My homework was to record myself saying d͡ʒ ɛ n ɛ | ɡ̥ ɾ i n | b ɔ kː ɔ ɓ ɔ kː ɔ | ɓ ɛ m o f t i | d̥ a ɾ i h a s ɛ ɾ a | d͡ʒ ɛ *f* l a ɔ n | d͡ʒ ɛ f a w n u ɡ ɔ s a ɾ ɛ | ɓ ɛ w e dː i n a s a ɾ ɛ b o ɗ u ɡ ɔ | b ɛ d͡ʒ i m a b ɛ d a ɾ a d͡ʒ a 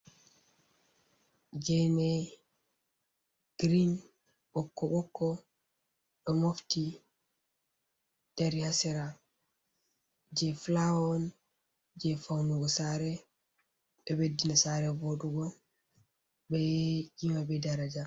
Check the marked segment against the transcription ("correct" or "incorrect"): correct